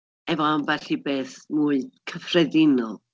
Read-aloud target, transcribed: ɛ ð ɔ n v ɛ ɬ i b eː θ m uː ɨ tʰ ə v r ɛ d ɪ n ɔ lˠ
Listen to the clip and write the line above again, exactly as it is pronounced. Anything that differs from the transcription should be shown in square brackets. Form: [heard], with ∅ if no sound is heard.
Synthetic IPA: ɛ [v] ɔ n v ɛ ɬ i b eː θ m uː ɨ [kʰ] ə [f] r ɛ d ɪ n ɔ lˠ